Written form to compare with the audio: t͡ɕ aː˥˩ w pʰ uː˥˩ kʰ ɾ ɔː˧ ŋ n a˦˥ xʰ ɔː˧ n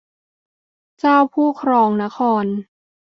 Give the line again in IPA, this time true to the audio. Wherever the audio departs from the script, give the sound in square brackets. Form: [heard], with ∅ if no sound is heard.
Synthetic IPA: t͡ɕ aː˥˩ w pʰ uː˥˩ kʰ ɾ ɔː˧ ŋ n a˦˥ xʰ ɔː˧ n